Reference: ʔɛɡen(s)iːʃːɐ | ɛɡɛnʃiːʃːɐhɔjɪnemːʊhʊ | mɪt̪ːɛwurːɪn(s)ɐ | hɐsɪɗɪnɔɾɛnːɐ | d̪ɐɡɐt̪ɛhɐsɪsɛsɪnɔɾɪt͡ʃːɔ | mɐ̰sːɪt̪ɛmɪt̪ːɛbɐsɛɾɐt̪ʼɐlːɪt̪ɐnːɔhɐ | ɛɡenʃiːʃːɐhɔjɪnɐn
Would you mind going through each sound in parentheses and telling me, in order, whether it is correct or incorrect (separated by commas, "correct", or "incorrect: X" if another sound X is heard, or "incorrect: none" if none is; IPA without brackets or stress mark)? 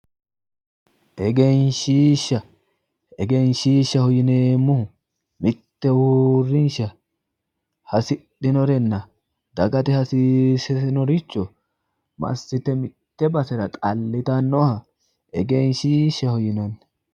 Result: incorrect: ʃ, incorrect: ʃ